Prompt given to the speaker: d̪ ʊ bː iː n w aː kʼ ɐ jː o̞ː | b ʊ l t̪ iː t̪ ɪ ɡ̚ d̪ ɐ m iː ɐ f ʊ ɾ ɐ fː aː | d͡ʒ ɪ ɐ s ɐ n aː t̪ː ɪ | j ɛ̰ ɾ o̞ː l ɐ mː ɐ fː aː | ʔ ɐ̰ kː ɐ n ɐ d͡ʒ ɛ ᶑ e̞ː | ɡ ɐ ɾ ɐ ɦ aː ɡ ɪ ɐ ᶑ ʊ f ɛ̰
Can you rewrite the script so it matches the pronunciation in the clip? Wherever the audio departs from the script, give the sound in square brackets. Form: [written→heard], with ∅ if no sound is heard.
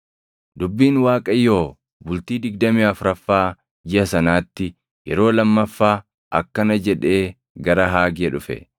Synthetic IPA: d̪ ʊ bː iː n w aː kʼ ɐ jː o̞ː | b ʊ l t̪ iː [t̪→d̪] ɪ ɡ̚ d̪ ɐ m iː ɐ f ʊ ɾ ɐ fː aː | d͡ʒ ɪ ɐ s ɐ n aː t̪ː ɪ | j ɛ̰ ɾ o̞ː l ɐ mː ɐ fː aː | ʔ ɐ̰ kː ɐ n ɐ d͡ʒ ɛ ᶑ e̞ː | ɡ ɐ ɾ ɐ ɦ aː ɡ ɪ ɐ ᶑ ʊ f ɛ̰